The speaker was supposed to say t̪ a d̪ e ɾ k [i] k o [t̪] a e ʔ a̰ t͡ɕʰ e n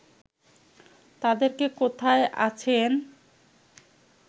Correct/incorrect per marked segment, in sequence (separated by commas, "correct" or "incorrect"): incorrect, incorrect